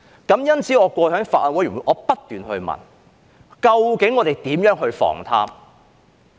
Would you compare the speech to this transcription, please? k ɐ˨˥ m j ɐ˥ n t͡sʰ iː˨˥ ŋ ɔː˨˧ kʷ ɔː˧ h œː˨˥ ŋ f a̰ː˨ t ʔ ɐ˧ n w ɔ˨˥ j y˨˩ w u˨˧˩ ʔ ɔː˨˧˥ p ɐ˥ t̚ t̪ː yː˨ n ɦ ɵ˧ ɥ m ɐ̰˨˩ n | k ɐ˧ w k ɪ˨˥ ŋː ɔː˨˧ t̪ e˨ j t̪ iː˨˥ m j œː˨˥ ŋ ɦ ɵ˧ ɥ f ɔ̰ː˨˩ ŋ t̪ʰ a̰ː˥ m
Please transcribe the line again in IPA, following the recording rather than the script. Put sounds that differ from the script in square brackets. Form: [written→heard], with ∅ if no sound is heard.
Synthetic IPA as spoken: k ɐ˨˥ m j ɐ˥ n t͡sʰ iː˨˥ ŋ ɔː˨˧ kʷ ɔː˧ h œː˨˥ ŋ f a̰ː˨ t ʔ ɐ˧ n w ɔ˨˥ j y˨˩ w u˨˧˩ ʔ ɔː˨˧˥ p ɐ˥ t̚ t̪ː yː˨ n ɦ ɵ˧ ɥ m ɐ̰˨˩ n | k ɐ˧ w k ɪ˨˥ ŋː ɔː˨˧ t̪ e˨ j t̪ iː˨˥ m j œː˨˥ ŋ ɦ ɵ˧ ɥ f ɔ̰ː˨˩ ŋ t̪ʰ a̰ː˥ m